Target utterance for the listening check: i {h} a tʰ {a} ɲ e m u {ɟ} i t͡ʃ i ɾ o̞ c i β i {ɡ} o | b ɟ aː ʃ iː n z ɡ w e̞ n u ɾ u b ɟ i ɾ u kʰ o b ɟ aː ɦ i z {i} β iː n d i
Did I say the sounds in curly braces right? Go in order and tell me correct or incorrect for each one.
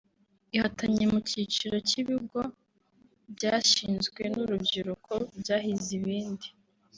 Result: correct, correct, incorrect: c, correct, correct

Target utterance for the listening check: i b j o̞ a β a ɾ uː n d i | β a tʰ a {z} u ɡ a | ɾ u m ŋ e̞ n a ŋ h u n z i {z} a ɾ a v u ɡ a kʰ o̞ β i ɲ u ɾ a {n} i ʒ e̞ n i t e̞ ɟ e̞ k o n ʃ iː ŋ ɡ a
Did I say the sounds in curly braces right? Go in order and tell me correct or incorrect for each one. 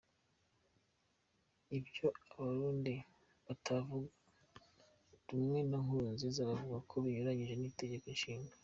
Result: incorrect: v, correct, incorrect: ɲ

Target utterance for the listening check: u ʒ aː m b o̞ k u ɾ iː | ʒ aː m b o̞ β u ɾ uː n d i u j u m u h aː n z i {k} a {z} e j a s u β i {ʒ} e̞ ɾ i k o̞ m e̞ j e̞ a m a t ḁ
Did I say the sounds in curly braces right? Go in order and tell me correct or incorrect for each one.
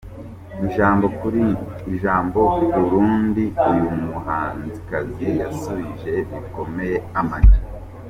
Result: correct, correct, correct

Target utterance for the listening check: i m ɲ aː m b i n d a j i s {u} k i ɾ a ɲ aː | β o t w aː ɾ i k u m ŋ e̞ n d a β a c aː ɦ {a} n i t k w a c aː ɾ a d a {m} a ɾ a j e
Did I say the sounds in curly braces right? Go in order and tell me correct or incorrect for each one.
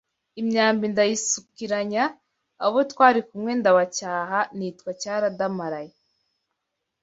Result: correct, correct, correct

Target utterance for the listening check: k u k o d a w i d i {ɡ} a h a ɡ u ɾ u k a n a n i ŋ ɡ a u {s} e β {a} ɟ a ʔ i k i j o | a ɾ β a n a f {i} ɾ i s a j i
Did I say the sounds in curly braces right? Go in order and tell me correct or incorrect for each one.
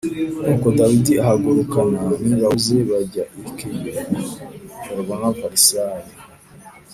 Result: incorrect: none, incorrect: z, correct, incorrect: a

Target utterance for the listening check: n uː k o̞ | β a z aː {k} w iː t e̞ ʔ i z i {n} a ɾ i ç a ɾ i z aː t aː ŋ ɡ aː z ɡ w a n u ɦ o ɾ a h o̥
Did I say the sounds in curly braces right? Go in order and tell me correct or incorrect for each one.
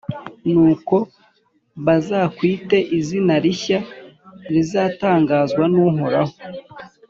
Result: correct, correct

